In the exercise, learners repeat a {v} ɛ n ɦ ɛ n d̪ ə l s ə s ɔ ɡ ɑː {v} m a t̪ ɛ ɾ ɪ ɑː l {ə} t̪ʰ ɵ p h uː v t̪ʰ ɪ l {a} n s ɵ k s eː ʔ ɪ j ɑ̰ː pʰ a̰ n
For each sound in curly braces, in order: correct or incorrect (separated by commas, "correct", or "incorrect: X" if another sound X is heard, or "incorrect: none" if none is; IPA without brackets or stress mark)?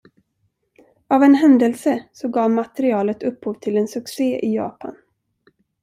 correct, correct, correct, incorrect: ɛ